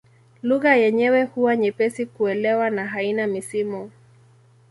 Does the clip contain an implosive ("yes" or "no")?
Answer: no